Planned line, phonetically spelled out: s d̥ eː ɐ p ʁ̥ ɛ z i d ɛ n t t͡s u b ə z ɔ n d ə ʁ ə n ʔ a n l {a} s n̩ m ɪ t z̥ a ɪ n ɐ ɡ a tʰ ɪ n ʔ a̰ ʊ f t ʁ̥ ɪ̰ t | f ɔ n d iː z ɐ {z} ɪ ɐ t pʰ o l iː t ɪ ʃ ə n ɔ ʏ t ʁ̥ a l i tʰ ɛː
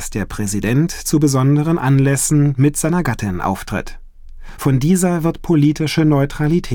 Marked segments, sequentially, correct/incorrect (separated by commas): incorrect, incorrect